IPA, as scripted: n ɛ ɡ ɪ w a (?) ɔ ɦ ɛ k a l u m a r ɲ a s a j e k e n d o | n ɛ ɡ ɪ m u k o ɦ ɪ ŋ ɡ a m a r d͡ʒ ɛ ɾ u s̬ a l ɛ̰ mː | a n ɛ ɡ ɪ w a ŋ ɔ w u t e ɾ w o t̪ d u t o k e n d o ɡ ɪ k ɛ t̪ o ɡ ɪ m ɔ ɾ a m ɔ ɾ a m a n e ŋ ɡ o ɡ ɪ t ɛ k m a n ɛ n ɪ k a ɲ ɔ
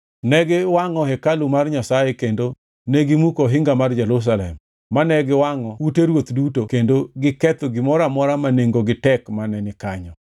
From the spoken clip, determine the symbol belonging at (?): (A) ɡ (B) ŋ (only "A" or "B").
B